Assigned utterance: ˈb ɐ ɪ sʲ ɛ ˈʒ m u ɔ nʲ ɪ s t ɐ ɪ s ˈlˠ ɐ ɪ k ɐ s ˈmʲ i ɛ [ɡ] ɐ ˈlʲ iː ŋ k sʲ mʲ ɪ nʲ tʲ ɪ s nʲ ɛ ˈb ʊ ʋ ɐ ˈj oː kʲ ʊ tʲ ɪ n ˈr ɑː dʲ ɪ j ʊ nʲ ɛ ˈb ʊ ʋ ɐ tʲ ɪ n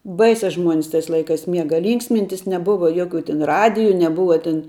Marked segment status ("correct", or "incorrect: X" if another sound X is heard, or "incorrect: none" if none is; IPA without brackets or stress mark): correct